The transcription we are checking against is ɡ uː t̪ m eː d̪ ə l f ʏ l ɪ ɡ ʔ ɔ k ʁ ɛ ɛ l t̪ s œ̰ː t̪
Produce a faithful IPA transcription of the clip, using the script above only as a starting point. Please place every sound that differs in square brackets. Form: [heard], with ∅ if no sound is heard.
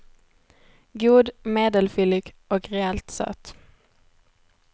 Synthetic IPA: ɡ uː [d̪] m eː d̪ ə l f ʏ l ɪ ɡ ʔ ɔ k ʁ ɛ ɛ l t̪ s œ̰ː t̪